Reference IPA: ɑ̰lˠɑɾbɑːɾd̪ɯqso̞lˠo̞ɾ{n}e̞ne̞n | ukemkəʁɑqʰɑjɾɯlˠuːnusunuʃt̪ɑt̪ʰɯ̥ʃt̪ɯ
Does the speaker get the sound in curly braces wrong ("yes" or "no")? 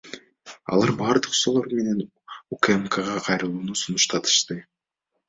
yes